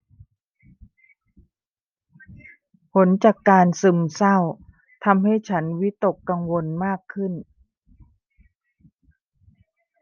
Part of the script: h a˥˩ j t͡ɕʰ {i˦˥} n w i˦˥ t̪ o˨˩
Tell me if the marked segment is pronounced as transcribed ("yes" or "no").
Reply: no